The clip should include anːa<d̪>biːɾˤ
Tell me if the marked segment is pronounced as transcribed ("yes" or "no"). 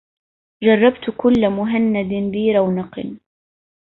yes